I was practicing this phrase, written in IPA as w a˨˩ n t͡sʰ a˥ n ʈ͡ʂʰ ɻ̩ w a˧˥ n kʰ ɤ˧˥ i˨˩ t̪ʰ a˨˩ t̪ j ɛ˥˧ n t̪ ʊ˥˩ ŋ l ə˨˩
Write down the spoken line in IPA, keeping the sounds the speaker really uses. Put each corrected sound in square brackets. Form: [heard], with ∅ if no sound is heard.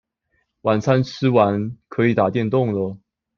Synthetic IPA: w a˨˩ n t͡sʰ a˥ n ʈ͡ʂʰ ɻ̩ w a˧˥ n kʰ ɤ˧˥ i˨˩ [t̪] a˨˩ t̪ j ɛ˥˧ n t̪ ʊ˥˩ ŋ l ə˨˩